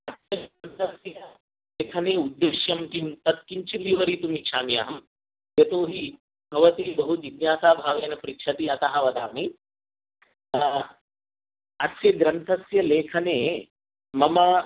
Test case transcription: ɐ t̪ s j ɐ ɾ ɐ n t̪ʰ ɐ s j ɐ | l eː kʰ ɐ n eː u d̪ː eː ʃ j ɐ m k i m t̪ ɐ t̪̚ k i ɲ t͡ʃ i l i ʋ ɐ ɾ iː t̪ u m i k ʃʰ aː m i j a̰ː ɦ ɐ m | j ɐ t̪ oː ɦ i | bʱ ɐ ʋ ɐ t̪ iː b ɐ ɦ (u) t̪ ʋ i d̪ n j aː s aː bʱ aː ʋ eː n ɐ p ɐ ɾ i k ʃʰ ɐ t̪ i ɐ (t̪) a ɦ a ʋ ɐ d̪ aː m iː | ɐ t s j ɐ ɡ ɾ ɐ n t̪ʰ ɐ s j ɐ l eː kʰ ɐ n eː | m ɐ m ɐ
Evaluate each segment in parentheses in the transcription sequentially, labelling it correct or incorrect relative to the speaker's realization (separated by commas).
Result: correct, correct